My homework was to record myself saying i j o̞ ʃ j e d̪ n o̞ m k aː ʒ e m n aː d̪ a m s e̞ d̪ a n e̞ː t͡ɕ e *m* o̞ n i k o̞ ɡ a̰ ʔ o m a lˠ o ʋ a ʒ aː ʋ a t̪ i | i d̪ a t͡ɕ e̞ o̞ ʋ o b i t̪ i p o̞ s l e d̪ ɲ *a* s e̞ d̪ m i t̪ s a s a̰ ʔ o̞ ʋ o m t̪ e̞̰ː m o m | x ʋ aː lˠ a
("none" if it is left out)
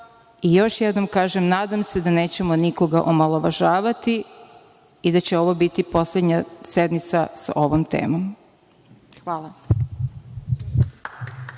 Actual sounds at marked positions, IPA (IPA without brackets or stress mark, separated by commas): m, a